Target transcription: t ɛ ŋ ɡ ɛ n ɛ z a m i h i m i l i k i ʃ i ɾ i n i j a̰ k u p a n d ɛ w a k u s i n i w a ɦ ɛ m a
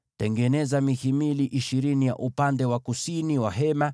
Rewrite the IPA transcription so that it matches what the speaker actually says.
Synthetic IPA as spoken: t ɛ ŋ ɡ ɛ n ɛ z a m i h i m i l i ʔ i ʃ i ɾ i n i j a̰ ʔ u p a n d ɛ w a k u s i n i w a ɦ ɛ m a

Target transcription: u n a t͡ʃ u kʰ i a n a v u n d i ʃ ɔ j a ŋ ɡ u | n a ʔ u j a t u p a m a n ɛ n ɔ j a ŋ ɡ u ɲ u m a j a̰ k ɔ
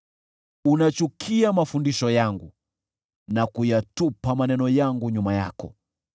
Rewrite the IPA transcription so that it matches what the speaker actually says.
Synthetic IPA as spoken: u n a t͡ʃ u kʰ i a m a f u n d i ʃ ɔ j a ŋ ɡ u | n a k u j a t u p a m a n ɛ n ɔ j a ŋ ɡ u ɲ u m a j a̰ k ɔ

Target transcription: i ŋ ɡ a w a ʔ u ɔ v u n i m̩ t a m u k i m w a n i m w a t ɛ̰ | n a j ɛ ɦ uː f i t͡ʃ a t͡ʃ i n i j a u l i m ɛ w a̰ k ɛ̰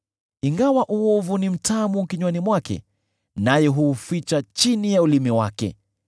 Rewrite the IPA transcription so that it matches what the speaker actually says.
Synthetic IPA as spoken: i ŋ ɡ a w a ʔ u ɔ v u n i m̩ t a m u k i ɲ w a n i m w a k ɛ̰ | n a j ɛ ɦ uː f i t͡ʃ a t͡ʃ i n i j a u l i m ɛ w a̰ k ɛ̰

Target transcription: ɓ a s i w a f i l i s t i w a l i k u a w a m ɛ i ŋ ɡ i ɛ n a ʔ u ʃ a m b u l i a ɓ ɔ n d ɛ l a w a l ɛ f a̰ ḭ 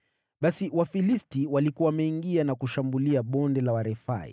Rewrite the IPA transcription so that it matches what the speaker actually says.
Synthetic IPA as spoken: ɓ a s i w a f i l i s t i w a l i k u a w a m ɛ i ŋ ɡ i a n a k u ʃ a m b u l i a ɓ ɔ n d ɛ l a w a ɾ ɛ f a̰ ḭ

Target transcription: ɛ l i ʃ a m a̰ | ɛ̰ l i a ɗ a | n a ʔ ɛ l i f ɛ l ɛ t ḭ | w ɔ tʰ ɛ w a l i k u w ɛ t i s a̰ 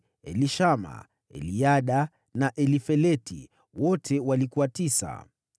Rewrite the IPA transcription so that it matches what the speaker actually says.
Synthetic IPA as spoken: ɛ l i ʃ a m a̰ | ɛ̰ l i a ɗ a | n a ʔ ɛ l i f ɛ l ɛ t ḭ | w ɔ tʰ ɛ w a l i k u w a t i s a̰

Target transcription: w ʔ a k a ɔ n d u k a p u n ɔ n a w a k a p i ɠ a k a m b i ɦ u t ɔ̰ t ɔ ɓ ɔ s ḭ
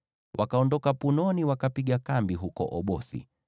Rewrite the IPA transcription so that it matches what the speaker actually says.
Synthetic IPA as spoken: w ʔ a k a ɔ n d ɔ k a p u n ɔ n i w a k a p i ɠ a k a m b i ɦ u k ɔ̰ ʔ ɔ ɓ ɔ s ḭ

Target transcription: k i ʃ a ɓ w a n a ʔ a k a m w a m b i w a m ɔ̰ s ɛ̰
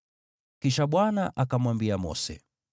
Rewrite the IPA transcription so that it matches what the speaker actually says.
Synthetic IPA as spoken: k i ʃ a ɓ w a n a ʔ a k a m w a m b i a m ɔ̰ s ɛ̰

